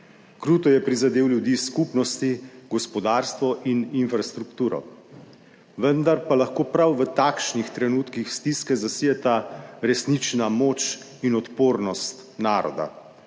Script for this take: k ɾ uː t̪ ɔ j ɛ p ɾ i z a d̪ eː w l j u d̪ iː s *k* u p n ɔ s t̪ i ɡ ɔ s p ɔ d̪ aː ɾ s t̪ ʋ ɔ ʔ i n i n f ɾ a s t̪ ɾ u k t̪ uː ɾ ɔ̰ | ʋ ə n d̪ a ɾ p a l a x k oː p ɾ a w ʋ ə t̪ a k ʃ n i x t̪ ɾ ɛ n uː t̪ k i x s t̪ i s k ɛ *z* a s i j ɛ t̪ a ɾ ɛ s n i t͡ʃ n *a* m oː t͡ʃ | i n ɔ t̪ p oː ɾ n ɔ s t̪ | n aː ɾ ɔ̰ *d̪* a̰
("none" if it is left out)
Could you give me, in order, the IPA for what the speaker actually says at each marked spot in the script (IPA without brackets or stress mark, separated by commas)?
k, z, a, d̪